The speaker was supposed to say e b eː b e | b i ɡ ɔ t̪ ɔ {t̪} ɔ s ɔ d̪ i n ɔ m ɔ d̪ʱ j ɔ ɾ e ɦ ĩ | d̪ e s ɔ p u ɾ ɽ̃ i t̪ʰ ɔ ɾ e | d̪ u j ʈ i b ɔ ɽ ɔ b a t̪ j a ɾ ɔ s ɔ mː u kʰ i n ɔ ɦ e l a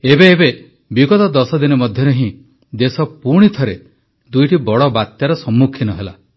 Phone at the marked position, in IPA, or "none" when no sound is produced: d̪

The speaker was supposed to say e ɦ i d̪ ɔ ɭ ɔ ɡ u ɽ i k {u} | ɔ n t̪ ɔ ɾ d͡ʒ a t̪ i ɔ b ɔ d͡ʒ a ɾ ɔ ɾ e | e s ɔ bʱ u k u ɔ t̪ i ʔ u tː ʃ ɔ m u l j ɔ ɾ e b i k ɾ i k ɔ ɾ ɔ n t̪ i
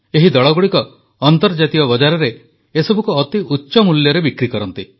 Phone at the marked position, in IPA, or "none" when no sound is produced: ɔ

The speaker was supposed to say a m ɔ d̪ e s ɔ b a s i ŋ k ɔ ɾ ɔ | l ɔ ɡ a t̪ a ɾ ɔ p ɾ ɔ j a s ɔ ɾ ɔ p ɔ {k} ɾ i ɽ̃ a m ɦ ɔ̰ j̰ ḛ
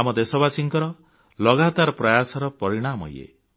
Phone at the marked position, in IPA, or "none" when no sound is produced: none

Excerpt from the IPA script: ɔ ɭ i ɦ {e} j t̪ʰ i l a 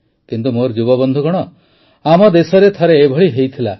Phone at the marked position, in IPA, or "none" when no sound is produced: e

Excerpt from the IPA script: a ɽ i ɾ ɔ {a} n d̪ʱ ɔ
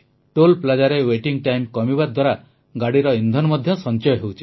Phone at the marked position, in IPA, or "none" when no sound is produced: i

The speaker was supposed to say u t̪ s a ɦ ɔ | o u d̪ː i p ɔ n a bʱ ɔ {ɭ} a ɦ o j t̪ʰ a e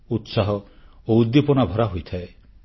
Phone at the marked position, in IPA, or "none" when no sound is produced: ɾ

